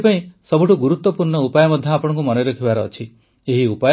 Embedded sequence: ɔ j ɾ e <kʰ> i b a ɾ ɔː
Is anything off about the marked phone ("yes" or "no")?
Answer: no